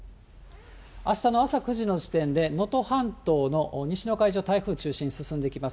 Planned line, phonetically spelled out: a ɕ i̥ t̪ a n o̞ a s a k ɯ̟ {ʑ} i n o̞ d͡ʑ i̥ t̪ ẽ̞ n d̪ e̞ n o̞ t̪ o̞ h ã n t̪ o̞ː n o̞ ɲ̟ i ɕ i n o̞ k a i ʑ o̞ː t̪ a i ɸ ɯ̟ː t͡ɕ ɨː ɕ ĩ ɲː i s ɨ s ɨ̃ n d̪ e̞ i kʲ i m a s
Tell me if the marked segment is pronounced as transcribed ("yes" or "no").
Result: yes